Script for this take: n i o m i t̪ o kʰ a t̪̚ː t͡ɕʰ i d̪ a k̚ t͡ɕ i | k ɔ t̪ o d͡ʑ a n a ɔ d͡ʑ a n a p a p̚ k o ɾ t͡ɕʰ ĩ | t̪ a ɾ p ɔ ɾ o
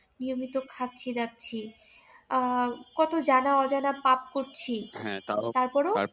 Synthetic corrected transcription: n i o m i t̪ o kʰ a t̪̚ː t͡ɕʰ i d̪ a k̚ t͡ɕʰ i | k ɔ t̪ o d͡ʑ a n a ɔ d͡ʑ a n a p a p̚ k o ɾ t͡ɕʰ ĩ | t̪ a ɾ p ɔ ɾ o